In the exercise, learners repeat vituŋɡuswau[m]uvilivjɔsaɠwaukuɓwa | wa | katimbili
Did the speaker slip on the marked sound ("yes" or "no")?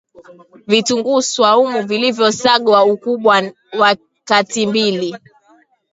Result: no